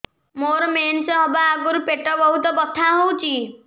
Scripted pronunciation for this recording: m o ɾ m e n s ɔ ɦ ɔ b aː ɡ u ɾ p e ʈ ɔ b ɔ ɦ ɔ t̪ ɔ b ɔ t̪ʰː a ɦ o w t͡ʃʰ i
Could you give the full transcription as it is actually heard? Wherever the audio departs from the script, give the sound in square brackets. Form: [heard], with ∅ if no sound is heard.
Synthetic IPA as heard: m o ɾ m e n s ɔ ɦ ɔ b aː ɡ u ɾ p e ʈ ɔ b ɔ ɦ [u] t̪ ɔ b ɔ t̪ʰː a ɦ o w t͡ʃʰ i

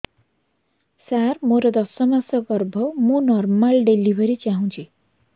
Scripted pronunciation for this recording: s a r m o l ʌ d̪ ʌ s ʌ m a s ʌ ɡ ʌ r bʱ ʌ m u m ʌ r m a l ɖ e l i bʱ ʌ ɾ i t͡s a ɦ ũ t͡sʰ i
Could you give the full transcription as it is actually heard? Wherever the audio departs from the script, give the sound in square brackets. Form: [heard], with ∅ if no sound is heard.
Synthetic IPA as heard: s a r m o [ɾ] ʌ d̪ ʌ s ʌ m a s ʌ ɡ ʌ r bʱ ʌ m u [n] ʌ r m a l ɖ e l i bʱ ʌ ɾ i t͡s a ɦ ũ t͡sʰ i

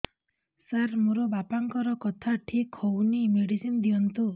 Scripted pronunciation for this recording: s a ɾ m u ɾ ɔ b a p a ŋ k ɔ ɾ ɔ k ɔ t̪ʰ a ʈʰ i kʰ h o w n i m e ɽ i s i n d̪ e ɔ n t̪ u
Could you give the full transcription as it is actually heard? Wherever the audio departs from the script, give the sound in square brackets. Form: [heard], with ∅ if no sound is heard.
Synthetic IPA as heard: s a ɾ m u ɾ ɔ b a p a ŋ k ɔ ɾ ɔ k ɔ t̪ʰ a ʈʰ i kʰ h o w n i m e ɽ i s i n d̪ [i] ɔ n t̪ u

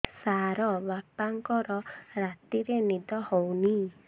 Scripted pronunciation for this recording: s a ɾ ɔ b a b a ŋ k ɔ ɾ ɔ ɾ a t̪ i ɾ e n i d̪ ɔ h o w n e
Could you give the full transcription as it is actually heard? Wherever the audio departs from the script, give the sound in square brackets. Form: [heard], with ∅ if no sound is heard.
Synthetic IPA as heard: s a ɾ ɔ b a [p] a ŋ k ɔ ɾ ɔ ɾ a t̪ i ɾ e n i d̪ ɔ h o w n [i]

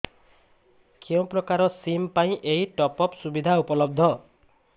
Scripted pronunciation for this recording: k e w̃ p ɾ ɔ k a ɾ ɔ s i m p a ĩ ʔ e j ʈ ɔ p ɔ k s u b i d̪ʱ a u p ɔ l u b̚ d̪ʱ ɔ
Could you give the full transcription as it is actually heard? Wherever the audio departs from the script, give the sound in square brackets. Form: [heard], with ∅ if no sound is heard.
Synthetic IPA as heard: k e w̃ p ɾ ɔ k a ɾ ɔ s i m p a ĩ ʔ e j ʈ ɔ p ɔ [p] s u b i d̪ʱ a u p ɔ l [ɔ] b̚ d̪ʱ ɔ

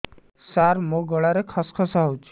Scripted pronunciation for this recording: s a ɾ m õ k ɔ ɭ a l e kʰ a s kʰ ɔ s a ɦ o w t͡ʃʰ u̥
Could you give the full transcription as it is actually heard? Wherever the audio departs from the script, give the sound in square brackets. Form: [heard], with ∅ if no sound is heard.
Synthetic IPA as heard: s a ɾ m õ [ɡ] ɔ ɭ a [ɾ] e kʰ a s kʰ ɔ s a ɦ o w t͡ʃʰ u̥

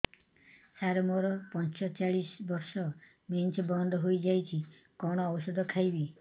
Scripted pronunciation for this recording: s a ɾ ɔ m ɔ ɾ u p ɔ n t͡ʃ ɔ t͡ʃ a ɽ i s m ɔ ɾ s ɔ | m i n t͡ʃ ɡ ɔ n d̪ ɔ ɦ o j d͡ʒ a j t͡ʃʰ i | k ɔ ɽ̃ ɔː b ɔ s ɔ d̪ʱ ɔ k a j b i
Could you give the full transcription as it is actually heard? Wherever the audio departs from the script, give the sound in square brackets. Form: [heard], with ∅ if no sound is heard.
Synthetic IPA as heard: s a ɾ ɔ m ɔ ɾ [ɔ] p ɔ n t͡ʃ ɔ t͡ʃ a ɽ i s [b] ɔ ɾ s ɔ | m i n t͡ʃ [b] ɔ n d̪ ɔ ɦ o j d͡ʒ a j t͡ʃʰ i | k ɔ ɽ̃ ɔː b ɔ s ɔ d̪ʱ ɔ [kʰ] a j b i

